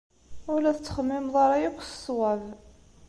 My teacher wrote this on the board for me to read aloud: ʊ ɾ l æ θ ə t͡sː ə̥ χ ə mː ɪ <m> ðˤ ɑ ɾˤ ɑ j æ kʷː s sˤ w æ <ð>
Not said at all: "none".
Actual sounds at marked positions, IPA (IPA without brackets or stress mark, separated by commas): m, v